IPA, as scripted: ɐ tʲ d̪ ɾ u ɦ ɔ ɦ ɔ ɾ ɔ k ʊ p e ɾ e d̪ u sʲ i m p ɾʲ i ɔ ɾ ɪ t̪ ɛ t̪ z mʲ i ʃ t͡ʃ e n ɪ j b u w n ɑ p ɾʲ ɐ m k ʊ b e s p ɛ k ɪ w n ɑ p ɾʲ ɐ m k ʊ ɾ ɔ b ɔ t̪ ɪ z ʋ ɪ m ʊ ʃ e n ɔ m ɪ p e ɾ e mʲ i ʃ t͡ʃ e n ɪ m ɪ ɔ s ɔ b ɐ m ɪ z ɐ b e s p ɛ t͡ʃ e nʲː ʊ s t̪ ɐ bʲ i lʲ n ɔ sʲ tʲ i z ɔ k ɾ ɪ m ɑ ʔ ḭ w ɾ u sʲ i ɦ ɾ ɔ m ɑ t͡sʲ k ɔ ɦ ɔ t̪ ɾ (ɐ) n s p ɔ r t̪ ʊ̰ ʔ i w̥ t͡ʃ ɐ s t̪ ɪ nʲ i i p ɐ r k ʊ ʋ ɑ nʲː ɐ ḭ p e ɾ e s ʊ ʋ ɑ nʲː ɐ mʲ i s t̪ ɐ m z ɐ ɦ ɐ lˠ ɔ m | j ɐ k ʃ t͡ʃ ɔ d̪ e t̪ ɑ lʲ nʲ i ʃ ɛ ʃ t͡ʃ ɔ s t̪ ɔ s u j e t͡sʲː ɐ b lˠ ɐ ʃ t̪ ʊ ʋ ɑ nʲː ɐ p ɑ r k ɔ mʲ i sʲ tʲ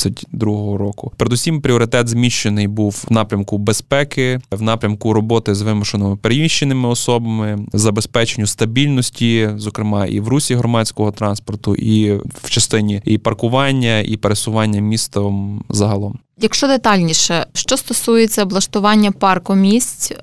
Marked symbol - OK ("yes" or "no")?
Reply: no